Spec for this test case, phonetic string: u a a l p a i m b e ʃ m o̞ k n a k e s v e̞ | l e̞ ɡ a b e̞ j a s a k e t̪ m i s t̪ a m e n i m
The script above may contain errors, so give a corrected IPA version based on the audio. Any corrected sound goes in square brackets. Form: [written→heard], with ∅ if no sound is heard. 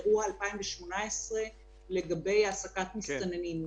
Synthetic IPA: u a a l p a i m [b→v] e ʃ m o̞ [k→∅] n a [k→∅] e s [v→ʁ] e̞ | l e̞ ɡ a b e̞ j a s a k [e→a] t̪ m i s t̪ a [m→n] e n i m

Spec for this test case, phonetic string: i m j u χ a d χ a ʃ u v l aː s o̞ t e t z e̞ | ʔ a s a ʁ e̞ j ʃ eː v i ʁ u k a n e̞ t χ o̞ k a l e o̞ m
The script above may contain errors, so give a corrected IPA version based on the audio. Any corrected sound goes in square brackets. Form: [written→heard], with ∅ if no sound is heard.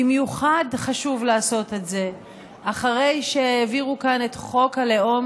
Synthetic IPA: i m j u χ a d χ a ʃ u v l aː s o̞ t e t z e̞ | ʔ a [s→χ] a ʁ e̞ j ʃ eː v i ʁ u k a n e̞ t χ o̞ k a l e o̞ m

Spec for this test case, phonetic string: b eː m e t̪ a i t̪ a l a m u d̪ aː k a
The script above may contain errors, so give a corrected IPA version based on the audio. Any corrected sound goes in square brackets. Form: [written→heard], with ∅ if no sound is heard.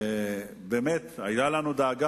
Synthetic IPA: b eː m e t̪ a [i→j] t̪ a l a [m→n] u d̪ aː [k→ɡ] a

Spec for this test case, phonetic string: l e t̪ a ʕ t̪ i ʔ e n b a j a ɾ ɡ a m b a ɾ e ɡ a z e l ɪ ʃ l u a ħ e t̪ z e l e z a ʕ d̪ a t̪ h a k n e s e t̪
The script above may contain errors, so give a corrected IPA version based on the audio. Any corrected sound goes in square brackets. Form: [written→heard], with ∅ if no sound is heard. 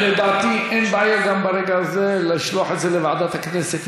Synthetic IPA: l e [t̪→d̪] a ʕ t̪ i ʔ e n b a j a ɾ ɡ a m b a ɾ e ɡ a z e l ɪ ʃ l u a ħ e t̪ z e l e [z→v] a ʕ d̪ a t̪ h a k n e s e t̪

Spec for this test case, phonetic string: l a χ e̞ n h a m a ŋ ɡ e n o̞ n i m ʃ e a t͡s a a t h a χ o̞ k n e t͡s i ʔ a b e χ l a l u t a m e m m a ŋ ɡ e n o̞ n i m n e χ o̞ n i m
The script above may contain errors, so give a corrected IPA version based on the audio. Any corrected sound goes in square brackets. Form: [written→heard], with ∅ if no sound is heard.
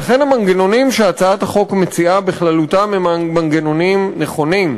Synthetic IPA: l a χ e̞ n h a m a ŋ ɡ e n o̞ n i m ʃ e a t͡s a a t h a χ o̞ k [n→m] e t͡s i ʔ a b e χ l a l u t a m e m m a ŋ ɡ e n o̞ n i m n e χ o̞ n i m

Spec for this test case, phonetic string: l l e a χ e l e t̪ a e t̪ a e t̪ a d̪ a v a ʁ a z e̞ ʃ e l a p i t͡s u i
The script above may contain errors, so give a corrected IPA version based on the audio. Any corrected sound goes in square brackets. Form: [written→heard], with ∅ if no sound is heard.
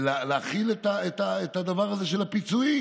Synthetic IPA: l l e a χ [e→i] l e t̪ a e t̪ a e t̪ a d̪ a v a ʁ a z e̞ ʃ e l a p i t͡s u i

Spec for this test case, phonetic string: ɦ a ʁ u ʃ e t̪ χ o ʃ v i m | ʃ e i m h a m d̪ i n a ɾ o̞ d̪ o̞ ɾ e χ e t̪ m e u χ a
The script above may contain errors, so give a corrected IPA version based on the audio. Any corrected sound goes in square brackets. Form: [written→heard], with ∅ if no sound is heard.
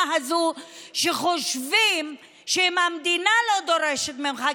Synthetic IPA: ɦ a [ʁ→z] u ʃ e [t̪→∅] χ o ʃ v i m | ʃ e i m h a m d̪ i n a [ɾ→l] o̞ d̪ o̞ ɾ e [χ→ʃ] e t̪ m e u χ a

